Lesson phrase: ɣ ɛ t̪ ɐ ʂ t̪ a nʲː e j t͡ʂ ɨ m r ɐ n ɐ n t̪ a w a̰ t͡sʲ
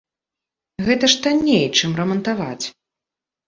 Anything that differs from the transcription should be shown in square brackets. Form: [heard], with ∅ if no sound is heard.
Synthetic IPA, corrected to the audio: ɣ ɛ t̪ ɐ ʂ t̪ a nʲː e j t͡ʂ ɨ m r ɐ [m] ɐ n t̪ a [v] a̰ t͡sʲ